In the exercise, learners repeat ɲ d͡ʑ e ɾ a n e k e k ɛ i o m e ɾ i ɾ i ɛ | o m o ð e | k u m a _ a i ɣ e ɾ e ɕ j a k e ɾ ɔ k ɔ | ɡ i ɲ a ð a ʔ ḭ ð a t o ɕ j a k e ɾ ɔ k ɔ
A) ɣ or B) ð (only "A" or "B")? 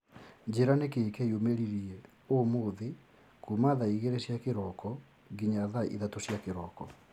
B